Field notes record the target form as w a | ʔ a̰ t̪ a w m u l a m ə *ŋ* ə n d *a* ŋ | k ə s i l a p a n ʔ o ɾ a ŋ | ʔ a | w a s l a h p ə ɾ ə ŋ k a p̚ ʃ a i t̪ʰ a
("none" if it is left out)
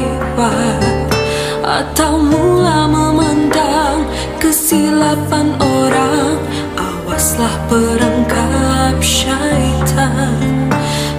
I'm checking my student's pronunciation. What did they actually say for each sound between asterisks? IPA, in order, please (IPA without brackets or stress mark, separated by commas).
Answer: m, a